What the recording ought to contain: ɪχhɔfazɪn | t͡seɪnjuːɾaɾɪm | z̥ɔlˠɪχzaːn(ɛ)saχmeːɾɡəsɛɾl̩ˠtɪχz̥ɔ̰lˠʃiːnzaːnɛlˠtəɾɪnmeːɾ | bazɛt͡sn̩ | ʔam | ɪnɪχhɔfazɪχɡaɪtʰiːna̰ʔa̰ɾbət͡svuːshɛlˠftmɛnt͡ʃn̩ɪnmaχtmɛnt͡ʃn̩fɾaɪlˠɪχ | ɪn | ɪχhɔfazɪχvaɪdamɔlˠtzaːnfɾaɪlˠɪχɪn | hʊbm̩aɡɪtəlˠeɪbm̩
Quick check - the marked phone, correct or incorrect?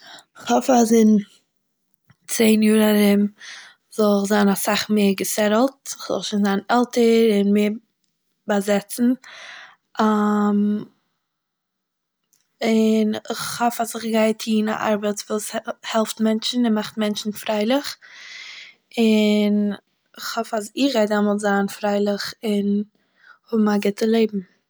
incorrect